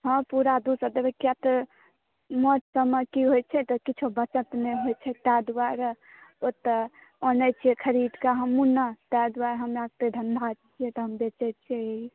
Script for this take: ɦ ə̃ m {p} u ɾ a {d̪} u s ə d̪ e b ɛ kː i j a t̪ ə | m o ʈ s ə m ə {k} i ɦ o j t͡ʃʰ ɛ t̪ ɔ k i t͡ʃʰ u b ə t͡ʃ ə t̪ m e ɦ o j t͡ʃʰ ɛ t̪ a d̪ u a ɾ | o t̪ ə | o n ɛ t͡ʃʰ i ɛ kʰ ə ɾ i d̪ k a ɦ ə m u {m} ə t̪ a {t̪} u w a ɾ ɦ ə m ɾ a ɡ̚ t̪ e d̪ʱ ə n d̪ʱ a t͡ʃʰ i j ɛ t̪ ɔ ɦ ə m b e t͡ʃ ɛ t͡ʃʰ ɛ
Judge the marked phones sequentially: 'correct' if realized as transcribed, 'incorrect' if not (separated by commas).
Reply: correct, correct, correct, incorrect, incorrect